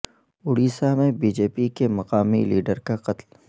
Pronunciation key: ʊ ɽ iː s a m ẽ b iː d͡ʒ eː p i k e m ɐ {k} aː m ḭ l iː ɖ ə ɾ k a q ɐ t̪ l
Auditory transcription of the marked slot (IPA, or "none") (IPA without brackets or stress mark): q